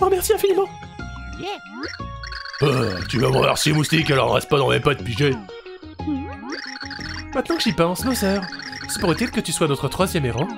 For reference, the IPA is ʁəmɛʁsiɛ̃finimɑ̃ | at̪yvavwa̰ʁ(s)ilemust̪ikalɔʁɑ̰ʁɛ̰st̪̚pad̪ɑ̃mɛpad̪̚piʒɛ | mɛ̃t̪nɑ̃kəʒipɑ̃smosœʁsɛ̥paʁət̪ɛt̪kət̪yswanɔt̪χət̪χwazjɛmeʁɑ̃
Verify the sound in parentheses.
correct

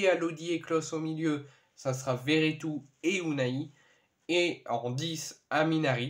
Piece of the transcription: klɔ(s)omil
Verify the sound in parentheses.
correct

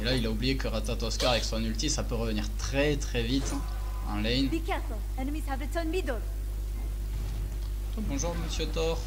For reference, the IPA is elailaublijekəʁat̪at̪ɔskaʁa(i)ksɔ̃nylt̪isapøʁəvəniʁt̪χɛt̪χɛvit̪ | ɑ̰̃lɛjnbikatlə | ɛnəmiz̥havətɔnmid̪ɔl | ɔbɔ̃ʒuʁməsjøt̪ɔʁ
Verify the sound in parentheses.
incorrect: ɛ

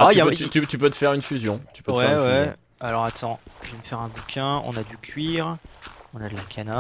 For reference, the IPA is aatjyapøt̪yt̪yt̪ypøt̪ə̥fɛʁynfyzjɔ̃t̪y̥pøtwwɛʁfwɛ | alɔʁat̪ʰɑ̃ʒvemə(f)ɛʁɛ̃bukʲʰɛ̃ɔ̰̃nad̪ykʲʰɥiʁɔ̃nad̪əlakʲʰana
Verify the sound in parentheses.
correct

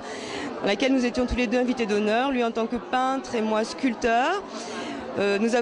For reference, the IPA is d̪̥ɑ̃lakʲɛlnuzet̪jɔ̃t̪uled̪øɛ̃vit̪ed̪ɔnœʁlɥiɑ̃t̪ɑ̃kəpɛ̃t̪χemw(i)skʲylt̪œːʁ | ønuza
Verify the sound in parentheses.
incorrect: a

